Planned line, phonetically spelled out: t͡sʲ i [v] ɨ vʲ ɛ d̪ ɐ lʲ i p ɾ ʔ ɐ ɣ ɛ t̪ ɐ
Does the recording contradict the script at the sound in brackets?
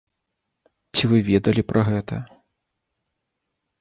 no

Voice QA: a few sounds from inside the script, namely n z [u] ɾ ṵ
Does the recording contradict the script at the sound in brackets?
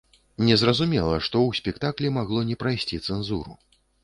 no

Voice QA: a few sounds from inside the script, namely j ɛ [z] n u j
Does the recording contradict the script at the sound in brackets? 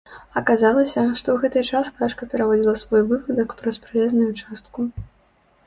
no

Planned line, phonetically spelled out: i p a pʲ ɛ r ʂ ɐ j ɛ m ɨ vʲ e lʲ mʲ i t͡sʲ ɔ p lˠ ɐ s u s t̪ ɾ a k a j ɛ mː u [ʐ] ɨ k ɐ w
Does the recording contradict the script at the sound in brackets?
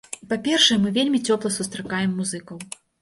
yes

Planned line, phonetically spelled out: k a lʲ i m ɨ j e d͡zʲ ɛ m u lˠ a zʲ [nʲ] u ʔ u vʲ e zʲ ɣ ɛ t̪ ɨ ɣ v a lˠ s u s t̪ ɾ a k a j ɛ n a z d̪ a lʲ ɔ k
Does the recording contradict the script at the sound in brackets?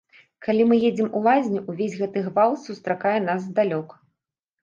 no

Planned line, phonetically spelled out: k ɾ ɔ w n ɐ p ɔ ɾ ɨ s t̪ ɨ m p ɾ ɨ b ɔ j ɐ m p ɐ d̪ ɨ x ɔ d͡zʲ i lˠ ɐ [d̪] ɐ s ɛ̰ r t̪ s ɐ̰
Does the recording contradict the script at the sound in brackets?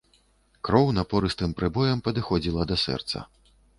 no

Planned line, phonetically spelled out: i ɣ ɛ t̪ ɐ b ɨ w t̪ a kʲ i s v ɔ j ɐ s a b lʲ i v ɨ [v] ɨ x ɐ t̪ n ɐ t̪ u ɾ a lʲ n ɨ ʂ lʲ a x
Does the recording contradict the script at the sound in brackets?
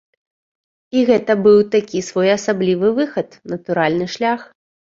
no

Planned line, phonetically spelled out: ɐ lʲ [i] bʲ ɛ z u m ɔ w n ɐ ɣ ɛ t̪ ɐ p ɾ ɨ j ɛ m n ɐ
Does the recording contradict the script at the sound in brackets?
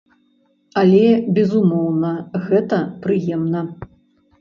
yes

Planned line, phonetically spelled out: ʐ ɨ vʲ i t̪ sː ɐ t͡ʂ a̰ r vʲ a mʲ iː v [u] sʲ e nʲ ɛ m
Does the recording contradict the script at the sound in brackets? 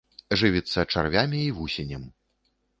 no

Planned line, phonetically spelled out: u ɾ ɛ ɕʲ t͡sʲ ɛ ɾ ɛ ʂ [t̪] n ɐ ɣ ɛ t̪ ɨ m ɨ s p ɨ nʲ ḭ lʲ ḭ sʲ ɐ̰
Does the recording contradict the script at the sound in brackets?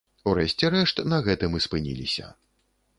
no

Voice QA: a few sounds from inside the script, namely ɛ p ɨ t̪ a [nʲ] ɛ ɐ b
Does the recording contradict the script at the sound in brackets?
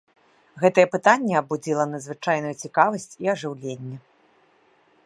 yes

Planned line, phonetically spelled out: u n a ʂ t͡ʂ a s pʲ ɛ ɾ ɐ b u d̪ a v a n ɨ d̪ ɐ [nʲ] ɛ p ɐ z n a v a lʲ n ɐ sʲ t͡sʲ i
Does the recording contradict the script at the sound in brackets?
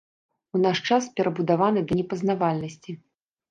no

